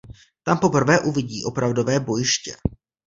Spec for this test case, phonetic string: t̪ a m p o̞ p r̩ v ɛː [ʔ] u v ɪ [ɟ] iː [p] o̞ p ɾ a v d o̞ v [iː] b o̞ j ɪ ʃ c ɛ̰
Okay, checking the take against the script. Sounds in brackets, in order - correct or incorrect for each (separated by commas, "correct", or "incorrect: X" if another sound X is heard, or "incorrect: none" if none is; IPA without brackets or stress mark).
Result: correct, correct, incorrect: ʔ, incorrect: ɛː